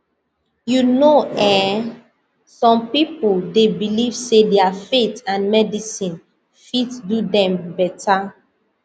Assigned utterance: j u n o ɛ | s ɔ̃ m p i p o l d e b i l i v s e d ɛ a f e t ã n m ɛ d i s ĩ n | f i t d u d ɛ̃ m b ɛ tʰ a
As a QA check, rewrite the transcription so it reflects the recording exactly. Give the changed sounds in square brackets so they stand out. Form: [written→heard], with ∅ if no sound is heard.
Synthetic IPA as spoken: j u n o ɛ | s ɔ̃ m p i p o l d e b i l i v s e d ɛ a f e t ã n m ɛ d i s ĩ n | f i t d u d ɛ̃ m b ɛ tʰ a

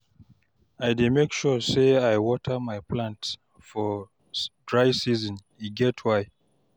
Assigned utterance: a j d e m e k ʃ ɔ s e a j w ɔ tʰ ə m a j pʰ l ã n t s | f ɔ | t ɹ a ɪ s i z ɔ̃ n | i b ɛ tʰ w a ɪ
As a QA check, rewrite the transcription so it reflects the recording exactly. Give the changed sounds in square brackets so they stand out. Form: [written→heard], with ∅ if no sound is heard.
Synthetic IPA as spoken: a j d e m e k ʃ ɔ s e a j w ɔ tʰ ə m a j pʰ l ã n t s | f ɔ | [t→d] ɹ a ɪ s i z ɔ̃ n | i [b→ɡ] ɛ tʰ w a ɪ

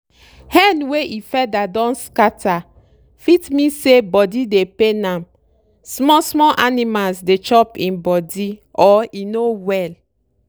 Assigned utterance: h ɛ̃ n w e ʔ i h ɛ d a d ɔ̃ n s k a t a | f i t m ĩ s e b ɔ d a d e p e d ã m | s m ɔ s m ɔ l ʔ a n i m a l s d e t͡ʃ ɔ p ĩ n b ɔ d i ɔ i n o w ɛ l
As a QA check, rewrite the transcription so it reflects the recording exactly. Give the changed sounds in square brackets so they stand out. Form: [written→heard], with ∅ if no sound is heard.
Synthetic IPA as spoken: h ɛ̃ n w e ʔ i [h→f] ɛ d a d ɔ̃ n s k a t a | f i t m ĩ s e b ɔ d [a→i] d e p e [d→n] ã m | s m ɔ s m ɔ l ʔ a n i m a l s d e t͡ʃ ɔ p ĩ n b ɔ d i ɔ i n o w ɛ l

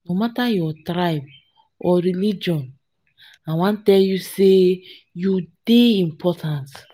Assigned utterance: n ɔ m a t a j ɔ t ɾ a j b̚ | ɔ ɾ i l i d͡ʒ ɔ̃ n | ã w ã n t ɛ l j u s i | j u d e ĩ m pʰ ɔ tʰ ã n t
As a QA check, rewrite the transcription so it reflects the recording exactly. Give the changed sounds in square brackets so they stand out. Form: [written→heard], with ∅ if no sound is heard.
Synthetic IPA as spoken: n [ɔ→o] m a t a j ɔ t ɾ a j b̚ | ɔ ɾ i l i d͡ʒ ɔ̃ n | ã w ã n t ɛ l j u s [i→e] | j u d e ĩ m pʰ ɔ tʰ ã n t

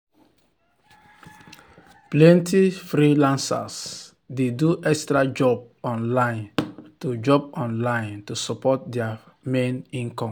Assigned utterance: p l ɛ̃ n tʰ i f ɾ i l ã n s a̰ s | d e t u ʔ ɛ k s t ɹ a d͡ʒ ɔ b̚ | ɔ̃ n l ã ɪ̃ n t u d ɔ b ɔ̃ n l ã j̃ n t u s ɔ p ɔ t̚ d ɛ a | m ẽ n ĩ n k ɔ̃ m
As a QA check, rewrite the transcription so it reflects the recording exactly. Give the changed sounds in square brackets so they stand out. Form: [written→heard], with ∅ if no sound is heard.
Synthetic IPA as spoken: p l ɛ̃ n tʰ i f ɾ i l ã n s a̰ s | d e [t→d] u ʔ ɛ k s t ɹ a d͡ʒ ɔ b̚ | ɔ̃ n l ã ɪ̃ n t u [d→d͡ʒ] ɔ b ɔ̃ n l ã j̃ n t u s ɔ p ɔ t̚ d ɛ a | m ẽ n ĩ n k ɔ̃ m

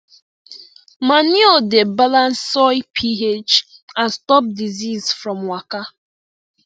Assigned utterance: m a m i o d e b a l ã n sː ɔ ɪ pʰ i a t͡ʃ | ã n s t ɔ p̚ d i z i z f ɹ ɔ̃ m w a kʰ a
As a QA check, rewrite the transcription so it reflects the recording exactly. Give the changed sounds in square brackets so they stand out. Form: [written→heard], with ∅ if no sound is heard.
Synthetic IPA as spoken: m a [m→n] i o d e b a l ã n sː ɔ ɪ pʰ i [a→e] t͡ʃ | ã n s t ɔ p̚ d i z i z f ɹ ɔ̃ m w a [kʰ→k] a

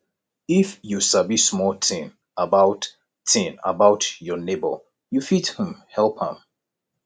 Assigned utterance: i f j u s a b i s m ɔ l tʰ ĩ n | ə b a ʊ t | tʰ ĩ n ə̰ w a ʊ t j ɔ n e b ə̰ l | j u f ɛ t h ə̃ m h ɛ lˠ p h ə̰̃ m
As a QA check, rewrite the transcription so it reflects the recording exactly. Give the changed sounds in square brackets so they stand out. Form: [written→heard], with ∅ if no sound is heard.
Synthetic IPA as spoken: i f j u s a b i s m ɔ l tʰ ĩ n | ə b a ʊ t | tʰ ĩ n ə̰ [w→b] a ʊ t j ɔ n e b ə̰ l | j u f [ɛ→i] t h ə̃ m h ɛ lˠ p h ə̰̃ m

